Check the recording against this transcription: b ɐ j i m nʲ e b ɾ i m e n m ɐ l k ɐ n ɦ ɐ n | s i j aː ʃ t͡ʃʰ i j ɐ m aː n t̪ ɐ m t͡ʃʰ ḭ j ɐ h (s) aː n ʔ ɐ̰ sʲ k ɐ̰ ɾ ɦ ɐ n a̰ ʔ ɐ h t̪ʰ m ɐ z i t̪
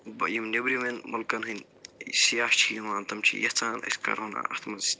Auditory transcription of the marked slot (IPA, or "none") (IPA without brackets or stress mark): t͡s